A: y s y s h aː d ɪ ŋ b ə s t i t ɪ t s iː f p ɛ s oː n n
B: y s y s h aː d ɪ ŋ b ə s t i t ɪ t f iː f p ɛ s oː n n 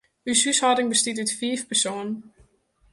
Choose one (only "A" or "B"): B